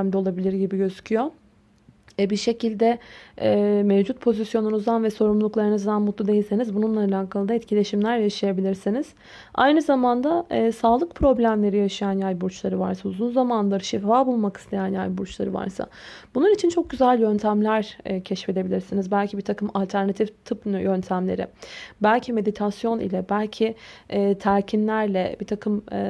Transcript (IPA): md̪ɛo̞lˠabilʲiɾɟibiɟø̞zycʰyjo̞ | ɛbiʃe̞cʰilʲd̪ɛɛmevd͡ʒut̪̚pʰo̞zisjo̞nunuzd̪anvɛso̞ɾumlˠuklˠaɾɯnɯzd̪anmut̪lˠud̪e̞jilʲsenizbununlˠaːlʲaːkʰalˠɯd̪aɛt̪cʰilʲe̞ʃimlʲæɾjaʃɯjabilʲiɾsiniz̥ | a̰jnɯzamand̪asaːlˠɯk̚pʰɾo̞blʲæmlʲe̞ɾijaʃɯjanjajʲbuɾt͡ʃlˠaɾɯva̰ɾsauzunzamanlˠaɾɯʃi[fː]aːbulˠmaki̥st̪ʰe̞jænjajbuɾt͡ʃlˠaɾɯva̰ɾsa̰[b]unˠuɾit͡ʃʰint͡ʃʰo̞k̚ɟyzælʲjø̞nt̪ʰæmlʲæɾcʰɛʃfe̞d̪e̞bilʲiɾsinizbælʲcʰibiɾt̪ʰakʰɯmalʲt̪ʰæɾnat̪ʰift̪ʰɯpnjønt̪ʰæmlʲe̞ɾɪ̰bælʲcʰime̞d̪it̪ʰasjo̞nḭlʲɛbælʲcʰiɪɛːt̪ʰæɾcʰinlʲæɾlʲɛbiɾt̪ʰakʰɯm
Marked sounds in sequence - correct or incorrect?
incorrect, correct

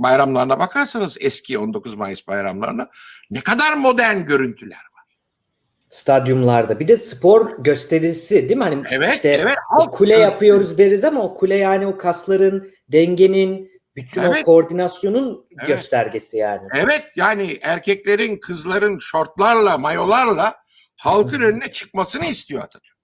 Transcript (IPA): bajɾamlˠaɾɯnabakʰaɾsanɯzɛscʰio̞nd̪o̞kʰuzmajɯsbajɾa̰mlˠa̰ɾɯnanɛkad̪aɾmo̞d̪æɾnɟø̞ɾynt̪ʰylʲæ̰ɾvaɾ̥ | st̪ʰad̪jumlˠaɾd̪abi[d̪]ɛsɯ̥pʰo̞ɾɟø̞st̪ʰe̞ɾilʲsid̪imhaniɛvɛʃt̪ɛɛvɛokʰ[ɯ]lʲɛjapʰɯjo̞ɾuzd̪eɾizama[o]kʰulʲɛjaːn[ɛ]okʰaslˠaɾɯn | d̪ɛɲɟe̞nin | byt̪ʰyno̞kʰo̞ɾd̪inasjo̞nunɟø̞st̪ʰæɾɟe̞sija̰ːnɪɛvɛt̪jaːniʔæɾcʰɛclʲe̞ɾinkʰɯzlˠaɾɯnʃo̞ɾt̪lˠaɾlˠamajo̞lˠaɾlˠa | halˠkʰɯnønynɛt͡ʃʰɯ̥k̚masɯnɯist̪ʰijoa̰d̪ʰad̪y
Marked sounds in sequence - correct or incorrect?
correct, incorrect, correct, incorrect

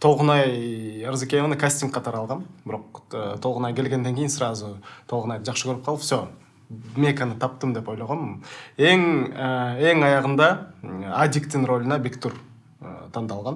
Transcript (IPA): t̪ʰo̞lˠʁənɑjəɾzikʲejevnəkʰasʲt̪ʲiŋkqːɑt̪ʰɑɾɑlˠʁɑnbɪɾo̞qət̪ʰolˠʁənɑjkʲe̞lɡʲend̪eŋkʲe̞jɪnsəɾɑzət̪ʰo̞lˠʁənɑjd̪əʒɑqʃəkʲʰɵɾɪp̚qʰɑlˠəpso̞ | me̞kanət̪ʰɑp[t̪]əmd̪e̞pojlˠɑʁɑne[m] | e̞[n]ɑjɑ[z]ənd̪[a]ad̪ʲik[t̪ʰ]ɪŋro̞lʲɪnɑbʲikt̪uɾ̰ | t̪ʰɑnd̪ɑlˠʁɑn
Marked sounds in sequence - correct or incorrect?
correct, incorrect, incorrect, incorrect, incorrect, incorrect

